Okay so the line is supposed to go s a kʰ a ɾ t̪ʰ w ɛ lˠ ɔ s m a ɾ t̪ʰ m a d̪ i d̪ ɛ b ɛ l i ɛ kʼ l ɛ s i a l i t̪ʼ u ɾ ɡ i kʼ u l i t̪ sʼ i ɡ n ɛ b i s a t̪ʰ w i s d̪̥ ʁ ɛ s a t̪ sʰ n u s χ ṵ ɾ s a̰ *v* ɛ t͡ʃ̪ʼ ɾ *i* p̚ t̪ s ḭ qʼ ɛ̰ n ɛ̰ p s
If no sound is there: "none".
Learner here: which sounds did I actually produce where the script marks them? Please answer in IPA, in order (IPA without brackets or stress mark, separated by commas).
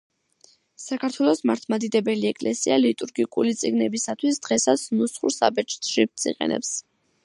b, i